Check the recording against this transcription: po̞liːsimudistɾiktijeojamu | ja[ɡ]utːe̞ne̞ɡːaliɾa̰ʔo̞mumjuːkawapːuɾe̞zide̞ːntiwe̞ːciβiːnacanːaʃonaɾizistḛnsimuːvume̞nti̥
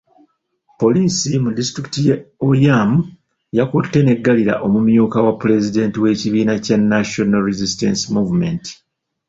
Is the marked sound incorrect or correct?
incorrect